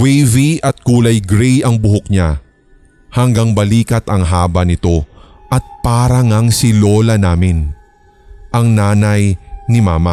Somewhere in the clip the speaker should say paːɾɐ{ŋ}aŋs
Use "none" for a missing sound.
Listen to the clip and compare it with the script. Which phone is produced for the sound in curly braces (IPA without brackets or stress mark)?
ŋ